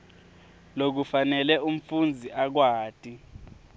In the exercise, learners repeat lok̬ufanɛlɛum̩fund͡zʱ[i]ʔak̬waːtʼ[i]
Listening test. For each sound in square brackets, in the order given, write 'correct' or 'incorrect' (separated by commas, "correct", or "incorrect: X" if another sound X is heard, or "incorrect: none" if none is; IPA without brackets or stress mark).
correct, correct